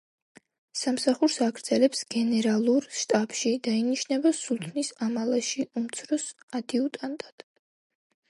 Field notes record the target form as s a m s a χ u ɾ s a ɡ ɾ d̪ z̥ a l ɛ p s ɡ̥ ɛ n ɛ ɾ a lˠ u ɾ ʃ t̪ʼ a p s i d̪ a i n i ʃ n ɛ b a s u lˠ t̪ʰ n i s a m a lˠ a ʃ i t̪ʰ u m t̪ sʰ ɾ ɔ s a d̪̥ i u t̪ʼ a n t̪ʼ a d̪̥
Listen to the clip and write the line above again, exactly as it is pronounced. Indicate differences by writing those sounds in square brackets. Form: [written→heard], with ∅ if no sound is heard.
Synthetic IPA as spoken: s a m s a χ u ɾ s a ɡ ɾ d̪ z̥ [a→ɛ] l ɛ p s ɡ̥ ɛ n ɛ ɾ a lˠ u ɾ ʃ t̪ʼ a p [s→ʃ] i d̪ a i n i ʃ n ɛ b a s u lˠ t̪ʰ n i s a m a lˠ a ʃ i [t̪ʰ→∅] u m t̪ sʰ ɾ ɔ s a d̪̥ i u t̪ʼ a n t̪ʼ a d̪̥